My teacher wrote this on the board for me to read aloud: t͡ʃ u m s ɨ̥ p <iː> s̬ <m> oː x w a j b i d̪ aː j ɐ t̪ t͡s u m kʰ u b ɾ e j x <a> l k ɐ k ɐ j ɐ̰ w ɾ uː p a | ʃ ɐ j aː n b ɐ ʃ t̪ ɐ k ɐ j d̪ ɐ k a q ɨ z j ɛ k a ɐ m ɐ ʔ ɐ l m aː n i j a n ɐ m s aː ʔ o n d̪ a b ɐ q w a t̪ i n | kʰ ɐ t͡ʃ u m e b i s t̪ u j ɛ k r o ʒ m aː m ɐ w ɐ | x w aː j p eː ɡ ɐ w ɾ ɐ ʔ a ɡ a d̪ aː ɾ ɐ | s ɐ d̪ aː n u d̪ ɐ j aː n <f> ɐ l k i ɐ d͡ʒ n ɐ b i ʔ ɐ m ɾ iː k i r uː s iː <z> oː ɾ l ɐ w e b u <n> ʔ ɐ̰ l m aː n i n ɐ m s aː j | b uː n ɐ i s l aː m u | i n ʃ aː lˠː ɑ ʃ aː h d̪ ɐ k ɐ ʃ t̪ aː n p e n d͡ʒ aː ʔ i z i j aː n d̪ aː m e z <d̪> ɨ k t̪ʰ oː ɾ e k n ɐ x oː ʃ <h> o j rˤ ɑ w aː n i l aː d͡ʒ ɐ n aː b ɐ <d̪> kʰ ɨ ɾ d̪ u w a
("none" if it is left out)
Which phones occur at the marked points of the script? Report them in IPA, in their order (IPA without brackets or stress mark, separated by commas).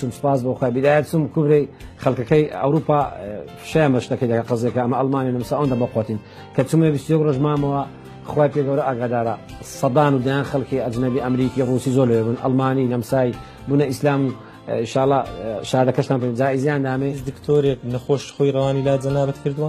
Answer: aː, b, ɐ, x, z, n, d̪, x, t̪